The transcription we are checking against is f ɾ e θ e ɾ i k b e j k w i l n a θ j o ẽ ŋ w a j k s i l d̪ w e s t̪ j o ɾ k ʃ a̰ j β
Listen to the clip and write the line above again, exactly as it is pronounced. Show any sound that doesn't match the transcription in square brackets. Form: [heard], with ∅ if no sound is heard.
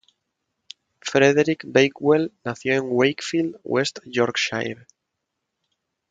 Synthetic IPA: f ɾ e [ð] e ɾ i k b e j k w [e] l n a θ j o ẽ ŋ w [e] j k [f] i l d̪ w e s t̪ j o ɾ k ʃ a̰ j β